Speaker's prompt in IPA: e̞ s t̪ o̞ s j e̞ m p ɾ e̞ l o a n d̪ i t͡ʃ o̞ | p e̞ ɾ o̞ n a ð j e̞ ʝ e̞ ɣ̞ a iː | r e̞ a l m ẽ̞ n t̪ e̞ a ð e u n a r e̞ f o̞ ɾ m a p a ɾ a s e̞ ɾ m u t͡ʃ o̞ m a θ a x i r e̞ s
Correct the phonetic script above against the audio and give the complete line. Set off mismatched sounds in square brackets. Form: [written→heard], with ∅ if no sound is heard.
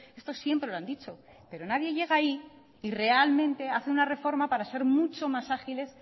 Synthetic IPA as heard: e̞ s t̪ o̞ s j e̞ m p ɾ e̞ l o a n d̪ i t͡ʃ o̞ | p e̞ ɾ o̞ n a ð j e̞ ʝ e̞ ɣ̞ a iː | r e̞ a l m ẽ̞ n t̪ e̞ a [ð→θ] e u n a r e̞ f o̞ ɾ m a p a ɾ a s e̞ ɾ m u t͡ʃ o̞ m a [θ→s] a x i [r→l] e̞ s